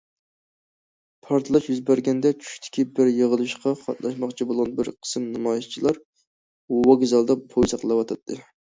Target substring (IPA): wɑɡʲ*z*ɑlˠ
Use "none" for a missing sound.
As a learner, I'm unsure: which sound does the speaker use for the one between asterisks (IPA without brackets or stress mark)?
z